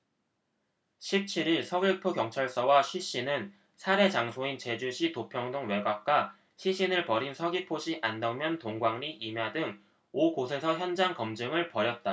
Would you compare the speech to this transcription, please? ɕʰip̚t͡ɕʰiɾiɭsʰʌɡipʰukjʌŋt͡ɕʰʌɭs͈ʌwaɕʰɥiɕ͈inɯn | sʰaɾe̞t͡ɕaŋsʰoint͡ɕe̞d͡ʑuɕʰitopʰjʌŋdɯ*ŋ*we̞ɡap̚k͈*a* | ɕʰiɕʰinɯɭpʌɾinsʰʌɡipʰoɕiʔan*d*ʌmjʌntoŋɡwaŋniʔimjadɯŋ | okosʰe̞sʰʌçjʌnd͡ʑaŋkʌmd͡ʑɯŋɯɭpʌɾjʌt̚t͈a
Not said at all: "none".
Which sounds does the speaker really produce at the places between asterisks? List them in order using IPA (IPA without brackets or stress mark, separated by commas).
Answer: ŋ, a, d